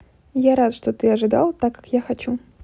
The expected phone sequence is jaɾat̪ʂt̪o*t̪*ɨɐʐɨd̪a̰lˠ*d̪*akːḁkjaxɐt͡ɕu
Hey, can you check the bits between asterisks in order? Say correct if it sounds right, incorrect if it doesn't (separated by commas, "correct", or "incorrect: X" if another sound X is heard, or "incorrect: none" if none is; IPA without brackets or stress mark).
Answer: correct, incorrect: t̪